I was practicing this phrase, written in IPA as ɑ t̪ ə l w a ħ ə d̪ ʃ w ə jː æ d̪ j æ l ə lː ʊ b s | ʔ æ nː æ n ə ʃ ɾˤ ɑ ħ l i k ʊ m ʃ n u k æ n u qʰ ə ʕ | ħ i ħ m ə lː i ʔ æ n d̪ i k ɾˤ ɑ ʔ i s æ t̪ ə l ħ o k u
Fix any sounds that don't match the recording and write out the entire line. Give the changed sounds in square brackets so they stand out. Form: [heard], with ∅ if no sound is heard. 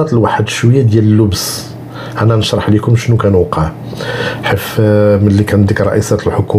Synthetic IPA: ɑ t̪ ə l w a ħ ə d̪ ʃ w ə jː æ d̪ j æ l ə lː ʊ b s | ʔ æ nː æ n ə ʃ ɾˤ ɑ ħ l i k ʊ m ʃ n u k æ n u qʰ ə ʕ | ħ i [f] m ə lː i [k] æ n d̪ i k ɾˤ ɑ ʔ i s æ t̪ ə l ħ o k u

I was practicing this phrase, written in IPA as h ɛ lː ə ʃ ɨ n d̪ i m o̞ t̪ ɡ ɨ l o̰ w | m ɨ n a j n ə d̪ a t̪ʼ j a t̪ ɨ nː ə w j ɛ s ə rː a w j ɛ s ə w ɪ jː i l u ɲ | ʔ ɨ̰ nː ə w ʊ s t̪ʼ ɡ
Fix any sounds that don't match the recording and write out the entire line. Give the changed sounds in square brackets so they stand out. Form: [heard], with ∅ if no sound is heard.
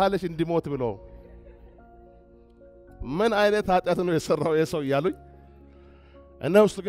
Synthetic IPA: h [a] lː ə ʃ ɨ n d̪ i m o̞ t̪ [b] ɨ l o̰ w | m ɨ n a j n ə [t̪] a t̪ʼ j a t̪ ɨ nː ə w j ɛ s ə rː a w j ɛ s ə w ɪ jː [a] l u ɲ | ʔ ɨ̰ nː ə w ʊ s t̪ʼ ɡ

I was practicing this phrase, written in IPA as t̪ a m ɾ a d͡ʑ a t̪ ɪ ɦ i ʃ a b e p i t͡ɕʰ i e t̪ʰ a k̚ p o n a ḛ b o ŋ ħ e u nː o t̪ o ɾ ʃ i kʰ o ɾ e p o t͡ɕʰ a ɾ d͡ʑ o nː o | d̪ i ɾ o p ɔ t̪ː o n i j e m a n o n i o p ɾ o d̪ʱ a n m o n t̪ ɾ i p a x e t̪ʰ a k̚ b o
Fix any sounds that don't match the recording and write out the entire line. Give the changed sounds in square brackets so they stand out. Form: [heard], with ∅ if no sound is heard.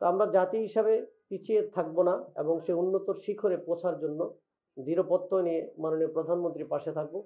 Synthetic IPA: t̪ a m ɾ a d͡ʑ a t̪ [i] ɦ i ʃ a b e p i t͡ɕʰ i e t̪ʰ a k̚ [b] o n a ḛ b o ŋ [ʃ] e u nː o t̪ o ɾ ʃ i kʰ o ɾ e p o t͡ɕʰ a ɾ d͡ʑ o nː o | d̪ i ɾ o p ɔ t̪ː o n i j e m a n o n i o p ɾ o d̪ʱ a n m o n t̪ ɾ i p a [ʃ] e t̪ʰ a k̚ b o

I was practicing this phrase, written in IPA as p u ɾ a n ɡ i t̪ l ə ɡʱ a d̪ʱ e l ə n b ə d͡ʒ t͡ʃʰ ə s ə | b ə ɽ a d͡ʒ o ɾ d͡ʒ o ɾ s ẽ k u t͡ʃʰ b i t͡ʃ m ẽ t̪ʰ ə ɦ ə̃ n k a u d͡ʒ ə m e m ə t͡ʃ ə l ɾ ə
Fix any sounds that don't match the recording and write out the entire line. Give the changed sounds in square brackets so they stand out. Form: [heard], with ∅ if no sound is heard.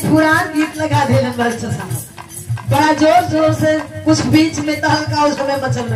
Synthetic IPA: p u ɾ a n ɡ i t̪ l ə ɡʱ a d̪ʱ e l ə n b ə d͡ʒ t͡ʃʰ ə s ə | b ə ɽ a d͡ʒ o ɾ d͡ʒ o ɾ s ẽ k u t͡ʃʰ b i t͡ʃ m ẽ [t̪] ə ɦ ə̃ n k a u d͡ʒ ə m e m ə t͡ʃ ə l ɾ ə

